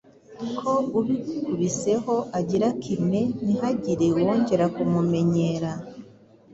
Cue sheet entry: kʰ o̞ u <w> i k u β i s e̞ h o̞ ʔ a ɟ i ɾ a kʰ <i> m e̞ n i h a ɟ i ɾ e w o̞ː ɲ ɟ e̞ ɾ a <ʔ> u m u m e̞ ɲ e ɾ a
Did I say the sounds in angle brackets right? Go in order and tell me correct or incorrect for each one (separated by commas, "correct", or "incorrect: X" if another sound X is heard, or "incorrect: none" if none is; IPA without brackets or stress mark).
incorrect: β, correct, incorrect: k